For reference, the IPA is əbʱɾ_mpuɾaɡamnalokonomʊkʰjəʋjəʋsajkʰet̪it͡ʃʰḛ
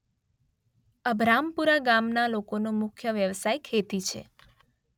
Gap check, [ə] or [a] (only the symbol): a